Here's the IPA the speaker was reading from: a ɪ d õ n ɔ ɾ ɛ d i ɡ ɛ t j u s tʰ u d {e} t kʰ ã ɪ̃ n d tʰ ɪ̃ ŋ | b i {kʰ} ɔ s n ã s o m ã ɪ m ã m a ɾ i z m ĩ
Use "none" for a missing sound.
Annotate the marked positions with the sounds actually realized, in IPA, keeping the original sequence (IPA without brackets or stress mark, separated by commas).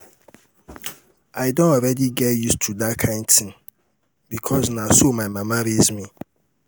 a, kʰ